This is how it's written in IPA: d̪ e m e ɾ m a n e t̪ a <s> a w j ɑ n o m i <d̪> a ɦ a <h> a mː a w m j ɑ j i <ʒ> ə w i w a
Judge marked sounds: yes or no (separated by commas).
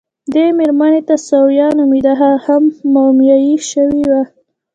yes, yes, yes, no